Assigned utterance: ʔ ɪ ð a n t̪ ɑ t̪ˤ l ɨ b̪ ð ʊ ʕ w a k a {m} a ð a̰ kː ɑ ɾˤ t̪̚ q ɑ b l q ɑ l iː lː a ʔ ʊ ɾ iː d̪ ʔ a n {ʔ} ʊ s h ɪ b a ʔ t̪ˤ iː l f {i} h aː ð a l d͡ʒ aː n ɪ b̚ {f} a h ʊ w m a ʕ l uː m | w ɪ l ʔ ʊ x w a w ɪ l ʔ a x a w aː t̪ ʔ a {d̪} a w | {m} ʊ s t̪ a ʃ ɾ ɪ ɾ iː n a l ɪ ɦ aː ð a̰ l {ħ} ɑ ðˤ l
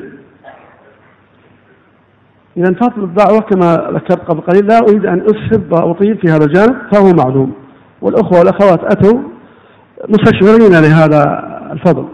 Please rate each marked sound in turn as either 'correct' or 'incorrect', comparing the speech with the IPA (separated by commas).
correct, correct, correct, correct, incorrect, correct, incorrect